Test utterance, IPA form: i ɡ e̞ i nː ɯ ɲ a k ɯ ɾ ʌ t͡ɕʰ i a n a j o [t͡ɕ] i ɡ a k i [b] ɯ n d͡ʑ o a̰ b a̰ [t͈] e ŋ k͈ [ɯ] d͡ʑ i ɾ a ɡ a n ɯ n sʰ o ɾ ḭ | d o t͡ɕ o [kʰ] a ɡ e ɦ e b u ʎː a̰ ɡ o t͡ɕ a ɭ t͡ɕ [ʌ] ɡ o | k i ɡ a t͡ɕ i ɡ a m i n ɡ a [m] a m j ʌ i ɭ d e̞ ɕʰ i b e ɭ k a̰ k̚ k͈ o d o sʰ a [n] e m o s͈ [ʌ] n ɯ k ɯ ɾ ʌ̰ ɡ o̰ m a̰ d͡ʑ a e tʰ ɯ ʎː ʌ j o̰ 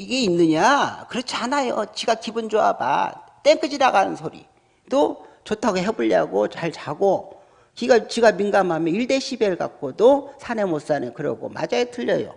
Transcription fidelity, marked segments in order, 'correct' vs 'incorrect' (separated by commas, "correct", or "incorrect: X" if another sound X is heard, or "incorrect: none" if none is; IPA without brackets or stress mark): correct, correct, correct, correct, incorrect: tʰ, incorrect: a, correct, correct, incorrect: a